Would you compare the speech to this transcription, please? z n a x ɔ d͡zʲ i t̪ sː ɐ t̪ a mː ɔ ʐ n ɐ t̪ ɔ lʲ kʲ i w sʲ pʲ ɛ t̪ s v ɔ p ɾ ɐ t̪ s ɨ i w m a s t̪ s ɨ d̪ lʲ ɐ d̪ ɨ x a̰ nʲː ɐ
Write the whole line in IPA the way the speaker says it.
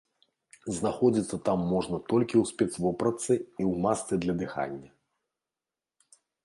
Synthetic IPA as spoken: z n a x ɔ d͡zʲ i t̪ sː ɐ t̪ a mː ɔ ʐ n ɐ t̪ ɔ lʲ kʲ i w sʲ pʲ ɛ t̪ s v ɔ p ɾ ɐ t̪ s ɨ i w m a s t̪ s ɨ d̪ lʲ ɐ d̪ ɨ x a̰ nʲː ɐ